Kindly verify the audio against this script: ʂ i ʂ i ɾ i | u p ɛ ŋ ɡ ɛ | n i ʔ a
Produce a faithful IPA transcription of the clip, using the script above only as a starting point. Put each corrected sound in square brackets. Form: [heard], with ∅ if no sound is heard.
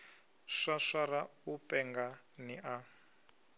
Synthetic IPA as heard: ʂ [a] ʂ [a] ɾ [a] | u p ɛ ŋ ɡ [a] | n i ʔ a